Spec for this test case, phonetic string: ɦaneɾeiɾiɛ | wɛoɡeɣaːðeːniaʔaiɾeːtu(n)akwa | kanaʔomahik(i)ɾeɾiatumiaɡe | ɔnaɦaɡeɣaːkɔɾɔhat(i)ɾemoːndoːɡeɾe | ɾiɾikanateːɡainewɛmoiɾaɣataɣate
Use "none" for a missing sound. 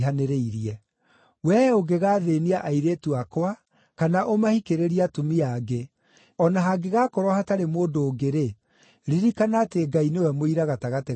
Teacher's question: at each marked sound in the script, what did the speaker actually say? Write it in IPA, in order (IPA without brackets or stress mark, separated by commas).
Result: none, e, a